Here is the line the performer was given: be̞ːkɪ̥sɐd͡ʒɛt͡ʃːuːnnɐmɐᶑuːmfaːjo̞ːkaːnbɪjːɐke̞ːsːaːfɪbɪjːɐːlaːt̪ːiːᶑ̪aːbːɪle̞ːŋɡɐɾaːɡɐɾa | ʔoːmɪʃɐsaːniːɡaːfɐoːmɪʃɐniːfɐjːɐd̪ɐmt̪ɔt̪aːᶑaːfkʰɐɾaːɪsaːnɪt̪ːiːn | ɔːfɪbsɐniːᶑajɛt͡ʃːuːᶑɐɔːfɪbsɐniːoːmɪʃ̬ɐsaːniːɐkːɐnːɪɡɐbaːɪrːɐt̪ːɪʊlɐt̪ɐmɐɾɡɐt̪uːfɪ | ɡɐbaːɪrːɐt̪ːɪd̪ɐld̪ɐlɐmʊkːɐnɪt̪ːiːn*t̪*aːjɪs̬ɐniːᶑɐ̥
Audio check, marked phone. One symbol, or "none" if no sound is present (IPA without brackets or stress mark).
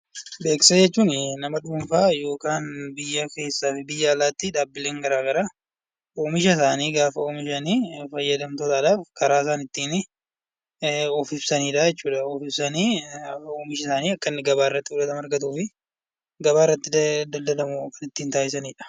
t̪